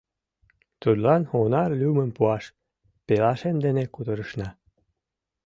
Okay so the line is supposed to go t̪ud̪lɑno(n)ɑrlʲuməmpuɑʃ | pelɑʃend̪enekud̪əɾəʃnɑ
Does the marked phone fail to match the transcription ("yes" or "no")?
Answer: no